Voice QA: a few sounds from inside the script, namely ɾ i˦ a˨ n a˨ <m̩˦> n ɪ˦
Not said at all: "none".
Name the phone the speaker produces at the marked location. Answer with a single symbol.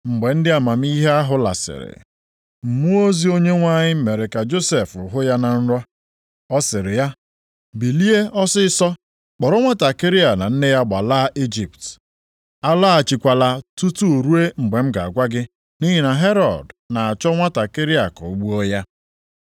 n̩˦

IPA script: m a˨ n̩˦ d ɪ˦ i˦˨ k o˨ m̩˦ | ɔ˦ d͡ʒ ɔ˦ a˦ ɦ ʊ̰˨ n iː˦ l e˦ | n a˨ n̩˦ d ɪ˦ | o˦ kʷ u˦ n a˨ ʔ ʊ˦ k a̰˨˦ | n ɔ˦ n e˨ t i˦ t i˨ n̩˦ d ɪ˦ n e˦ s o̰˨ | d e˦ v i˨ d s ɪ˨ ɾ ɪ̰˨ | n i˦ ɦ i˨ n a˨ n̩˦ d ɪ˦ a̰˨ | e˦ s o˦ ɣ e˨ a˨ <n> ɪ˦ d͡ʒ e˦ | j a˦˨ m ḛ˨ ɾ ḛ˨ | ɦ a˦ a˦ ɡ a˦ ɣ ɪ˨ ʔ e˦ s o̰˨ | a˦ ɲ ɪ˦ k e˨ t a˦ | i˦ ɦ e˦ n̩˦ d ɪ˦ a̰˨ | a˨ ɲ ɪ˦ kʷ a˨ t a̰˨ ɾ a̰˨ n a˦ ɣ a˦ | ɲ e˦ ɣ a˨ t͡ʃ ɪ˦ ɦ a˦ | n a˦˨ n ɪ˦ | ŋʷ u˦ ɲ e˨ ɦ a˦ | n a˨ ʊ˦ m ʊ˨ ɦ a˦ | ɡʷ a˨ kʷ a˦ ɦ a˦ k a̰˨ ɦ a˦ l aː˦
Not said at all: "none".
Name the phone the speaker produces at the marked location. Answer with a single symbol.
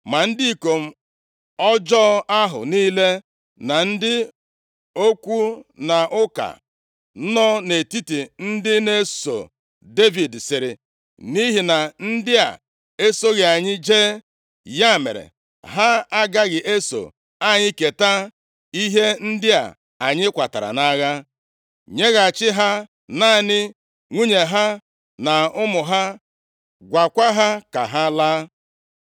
ɲ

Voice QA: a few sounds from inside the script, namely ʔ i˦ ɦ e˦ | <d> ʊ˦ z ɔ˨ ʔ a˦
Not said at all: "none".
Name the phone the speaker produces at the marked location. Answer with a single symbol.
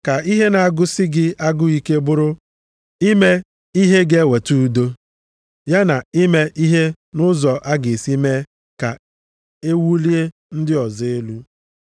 n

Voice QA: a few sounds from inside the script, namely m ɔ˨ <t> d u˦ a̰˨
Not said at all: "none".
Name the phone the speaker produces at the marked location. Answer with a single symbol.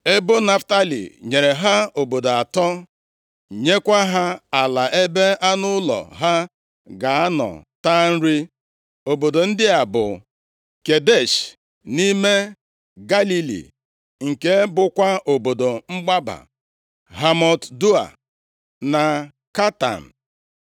t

